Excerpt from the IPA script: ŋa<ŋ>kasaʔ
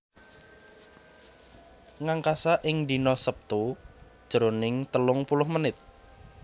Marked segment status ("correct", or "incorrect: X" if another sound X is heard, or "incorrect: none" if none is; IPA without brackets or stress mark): correct